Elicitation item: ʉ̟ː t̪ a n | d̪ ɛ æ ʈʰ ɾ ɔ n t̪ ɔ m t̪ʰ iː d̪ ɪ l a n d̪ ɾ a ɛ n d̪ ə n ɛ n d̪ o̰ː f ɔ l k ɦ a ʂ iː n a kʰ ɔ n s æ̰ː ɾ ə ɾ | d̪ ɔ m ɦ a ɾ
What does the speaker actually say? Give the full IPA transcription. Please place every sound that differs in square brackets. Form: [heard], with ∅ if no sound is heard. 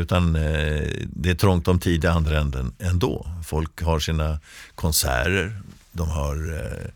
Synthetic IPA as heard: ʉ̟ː t̪ a n | d̪ ɛ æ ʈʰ ɾ ɔ [ŋ] t̪ ɔ m t̪ʰ iː d̪ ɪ [∅] a n d̪ ɾ a ɛ n d̪ ə n ɛ n d̪ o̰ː f ɔ l k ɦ a ʂ iː n a kʰ ɔ n s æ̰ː ɾ ə ɾ | d̪ ɔ m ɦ a ɾ